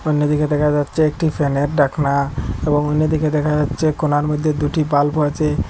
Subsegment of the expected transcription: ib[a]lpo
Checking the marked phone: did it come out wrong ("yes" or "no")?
no